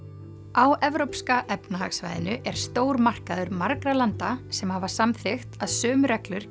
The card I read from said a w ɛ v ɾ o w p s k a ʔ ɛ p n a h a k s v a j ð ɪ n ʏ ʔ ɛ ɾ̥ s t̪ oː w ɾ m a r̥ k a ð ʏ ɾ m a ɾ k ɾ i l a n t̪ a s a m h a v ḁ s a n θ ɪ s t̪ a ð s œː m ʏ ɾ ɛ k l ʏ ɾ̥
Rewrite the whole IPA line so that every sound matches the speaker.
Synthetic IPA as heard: a w ɛ v ɾ o w p s k a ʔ ɛ p n a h a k s v a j ð ɪ n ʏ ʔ ɛ ɾ̥ s t̪ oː w ɾ m a r̥ k a ð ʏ ɾ m a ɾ k ɾ a l a n t̪ a s ɛ m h a v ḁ s a m θ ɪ x t̪ a ð s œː m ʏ ɾ ɛ k l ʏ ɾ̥